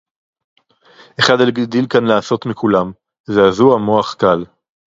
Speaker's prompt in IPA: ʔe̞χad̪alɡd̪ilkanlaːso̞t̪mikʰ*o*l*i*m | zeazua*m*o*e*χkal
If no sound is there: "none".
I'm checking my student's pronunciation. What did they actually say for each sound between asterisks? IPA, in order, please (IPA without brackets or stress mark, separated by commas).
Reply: u, a, m, a